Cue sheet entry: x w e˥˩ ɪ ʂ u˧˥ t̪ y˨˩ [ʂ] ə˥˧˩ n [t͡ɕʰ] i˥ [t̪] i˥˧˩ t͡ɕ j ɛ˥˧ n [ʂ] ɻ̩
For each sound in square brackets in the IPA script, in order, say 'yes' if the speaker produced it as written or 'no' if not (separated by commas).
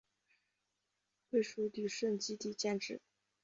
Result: yes, no, yes, no